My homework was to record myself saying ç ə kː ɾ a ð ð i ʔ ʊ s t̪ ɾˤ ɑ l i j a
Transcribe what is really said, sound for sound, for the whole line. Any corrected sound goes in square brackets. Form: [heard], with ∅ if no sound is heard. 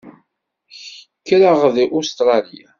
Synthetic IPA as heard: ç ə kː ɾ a [ʁ] ð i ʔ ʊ s t̪ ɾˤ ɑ l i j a